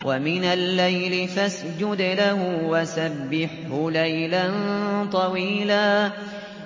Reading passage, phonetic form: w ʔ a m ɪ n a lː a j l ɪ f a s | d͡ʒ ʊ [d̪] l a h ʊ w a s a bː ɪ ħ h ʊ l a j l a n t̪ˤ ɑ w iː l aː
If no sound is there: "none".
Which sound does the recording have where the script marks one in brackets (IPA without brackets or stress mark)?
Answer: d̪